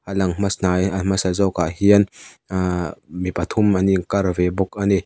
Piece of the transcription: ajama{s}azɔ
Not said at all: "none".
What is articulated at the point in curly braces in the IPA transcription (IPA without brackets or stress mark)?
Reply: s